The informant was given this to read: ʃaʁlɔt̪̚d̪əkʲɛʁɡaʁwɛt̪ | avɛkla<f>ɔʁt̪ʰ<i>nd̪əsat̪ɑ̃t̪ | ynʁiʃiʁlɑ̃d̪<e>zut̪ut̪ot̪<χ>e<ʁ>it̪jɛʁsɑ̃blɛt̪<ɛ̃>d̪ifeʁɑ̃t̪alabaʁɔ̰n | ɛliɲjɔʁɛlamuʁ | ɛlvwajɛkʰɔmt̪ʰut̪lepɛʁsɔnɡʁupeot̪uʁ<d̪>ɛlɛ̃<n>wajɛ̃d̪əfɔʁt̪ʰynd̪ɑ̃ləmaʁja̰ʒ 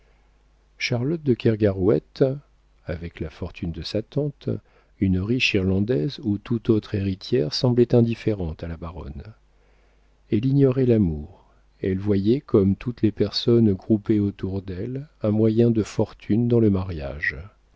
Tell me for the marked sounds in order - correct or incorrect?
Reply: correct, incorrect, incorrect, correct, correct, correct, correct, incorrect

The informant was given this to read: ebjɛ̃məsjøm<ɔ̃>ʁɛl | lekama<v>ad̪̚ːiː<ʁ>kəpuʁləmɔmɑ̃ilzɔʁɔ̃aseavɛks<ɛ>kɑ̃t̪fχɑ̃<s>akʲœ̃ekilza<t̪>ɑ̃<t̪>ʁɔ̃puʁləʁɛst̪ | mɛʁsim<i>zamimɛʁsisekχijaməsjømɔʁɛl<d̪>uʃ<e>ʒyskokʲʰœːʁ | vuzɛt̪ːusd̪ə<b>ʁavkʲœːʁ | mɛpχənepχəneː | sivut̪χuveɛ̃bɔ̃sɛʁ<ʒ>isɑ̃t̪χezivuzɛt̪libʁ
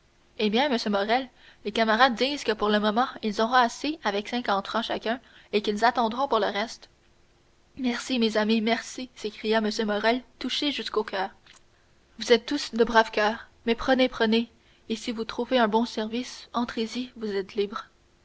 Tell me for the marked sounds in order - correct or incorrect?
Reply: incorrect, incorrect, incorrect, incorrect, incorrect, correct, incorrect, incorrect, incorrect, correct, correct, incorrect

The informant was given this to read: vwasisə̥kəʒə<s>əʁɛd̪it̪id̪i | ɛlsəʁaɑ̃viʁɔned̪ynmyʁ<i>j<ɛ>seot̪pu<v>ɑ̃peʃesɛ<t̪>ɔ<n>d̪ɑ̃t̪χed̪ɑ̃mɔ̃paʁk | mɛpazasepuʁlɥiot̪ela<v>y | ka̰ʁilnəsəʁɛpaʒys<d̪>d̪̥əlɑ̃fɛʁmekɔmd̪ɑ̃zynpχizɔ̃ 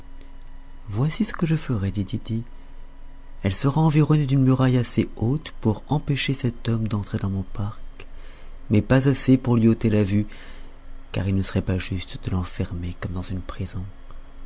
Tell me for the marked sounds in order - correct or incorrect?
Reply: incorrect, incorrect, incorrect, incorrect, correct, incorrect, correct, incorrect

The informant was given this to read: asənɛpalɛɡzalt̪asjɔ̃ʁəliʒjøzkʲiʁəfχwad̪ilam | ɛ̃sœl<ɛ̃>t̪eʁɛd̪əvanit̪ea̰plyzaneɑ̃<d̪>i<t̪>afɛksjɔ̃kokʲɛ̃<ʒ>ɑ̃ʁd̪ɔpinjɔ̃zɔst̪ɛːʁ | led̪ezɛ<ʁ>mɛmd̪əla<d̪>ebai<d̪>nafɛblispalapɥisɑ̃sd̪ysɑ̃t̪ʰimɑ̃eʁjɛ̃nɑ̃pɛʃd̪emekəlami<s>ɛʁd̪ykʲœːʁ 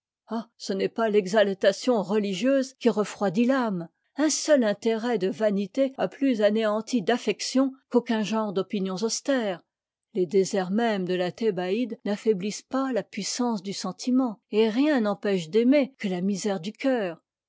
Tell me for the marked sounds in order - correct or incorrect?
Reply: correct, incorrect, incorrect, correct, correct, incorrect, correct, incorrect

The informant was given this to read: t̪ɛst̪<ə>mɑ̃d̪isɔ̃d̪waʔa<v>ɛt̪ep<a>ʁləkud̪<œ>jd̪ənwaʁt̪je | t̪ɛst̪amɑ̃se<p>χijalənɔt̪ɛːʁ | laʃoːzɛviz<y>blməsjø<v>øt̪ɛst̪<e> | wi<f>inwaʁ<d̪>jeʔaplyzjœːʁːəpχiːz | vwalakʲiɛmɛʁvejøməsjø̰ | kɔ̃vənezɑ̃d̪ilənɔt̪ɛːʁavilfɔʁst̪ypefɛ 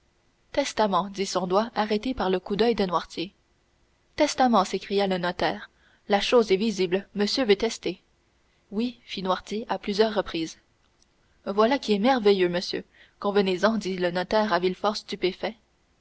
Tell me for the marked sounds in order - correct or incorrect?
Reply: incorrect, incorrect, correct, correct, incorrect, incorrect, correct, correct, correct, incorrect

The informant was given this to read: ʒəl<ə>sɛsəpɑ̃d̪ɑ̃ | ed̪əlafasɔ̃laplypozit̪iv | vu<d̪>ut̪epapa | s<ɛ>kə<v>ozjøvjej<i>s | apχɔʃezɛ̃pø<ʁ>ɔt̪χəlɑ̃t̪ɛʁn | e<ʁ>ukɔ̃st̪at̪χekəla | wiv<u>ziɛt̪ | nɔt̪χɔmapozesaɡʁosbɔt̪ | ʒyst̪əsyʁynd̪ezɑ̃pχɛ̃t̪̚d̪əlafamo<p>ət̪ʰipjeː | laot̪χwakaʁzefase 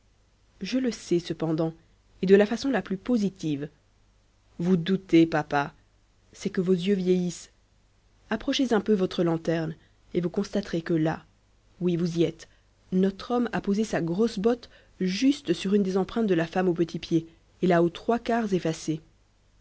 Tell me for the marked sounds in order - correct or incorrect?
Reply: correct, correct, correct, correct, correct, incorrect, incorrect, correct, correct

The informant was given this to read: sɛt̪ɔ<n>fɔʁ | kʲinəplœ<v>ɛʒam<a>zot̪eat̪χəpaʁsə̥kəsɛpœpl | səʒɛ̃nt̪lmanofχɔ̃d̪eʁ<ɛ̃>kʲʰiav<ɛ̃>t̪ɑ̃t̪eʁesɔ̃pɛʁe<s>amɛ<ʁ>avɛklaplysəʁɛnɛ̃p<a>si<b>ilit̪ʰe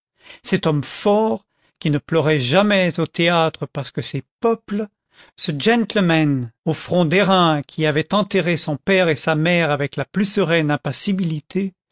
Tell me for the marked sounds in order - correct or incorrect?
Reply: incorrect, incorrect, incorrect, correct, incorrect, correct, correct, correct, correct

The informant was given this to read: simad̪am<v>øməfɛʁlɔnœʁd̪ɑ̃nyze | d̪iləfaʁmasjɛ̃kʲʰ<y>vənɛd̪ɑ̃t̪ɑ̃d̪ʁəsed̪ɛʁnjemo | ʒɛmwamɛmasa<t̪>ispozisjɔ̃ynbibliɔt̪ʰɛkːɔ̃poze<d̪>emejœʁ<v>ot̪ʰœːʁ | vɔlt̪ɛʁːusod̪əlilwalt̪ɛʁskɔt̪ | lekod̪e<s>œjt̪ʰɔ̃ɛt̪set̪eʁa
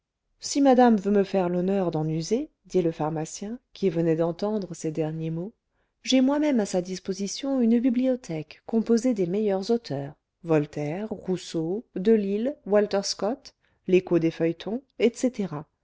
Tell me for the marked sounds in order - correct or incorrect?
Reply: correct, incorrect, incorrect, correct, incorrect, incorrect

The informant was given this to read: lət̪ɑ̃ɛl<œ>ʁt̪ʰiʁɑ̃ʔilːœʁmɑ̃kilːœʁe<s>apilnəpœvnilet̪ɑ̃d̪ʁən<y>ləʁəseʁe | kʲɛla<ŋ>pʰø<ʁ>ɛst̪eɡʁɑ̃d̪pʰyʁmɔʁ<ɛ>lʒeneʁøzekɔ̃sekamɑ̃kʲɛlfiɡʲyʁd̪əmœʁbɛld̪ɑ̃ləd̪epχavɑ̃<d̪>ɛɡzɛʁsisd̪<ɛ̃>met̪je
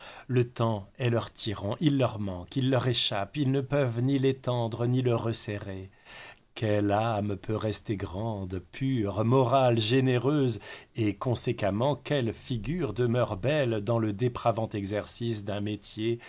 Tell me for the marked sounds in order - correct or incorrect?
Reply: correct, incorrect, incorrect, incorrect, correct, incorrect, incorrect, correct

